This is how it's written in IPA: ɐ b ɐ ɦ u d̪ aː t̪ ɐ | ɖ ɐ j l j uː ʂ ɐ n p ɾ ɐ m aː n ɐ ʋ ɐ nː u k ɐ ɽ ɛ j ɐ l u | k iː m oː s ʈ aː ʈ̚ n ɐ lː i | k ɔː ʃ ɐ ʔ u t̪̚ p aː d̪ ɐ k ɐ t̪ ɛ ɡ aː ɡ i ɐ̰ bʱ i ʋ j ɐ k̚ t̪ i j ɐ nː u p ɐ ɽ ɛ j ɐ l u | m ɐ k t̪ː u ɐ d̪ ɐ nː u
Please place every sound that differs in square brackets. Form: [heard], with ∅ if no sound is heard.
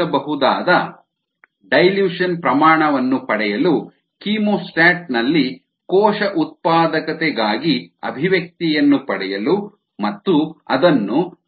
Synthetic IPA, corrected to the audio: ɐ b ɐ ɦ u d̪ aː [d̪] ɐ | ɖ ɐ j l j uː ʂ ɐ n p ɾ ɐ m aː [ɳ] ɐ ʋ ɐ nː u [p] ɐ ɽ ɛ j ɐ l u | k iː m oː s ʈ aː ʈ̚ n ɐ lː i | k ɔː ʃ ɐ ʔ u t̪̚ p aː d̪ ɐ k ɐ t̪ ɛ ɡ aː ɡ i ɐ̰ bʱ i ʋ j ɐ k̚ t̪ i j ɐ nː u p ɐ ɽ ɛ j ɐ l u | m ɐ [∅] t̪ː u ɐ d̪ ɐ nː u